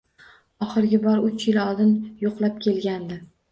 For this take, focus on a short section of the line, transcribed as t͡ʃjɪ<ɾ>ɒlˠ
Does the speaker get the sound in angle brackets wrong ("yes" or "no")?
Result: yes